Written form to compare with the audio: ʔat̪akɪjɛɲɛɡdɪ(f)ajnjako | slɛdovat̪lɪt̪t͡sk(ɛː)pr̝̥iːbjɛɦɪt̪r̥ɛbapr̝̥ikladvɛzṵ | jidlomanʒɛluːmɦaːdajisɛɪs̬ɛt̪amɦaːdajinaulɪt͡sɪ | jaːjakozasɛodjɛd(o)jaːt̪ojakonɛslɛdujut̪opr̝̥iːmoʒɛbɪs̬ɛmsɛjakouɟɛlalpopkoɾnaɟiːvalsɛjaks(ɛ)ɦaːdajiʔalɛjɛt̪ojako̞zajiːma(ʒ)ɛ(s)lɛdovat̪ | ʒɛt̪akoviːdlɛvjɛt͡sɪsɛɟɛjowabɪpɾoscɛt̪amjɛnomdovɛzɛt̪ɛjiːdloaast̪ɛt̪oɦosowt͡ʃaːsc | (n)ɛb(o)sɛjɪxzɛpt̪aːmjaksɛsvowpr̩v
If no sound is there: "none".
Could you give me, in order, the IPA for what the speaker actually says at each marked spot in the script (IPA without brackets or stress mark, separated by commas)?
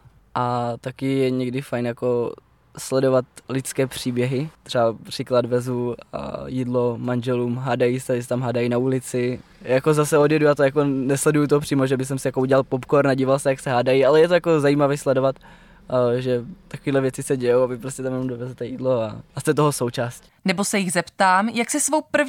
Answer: f, ɛː, u, ɛ, v, s, n, o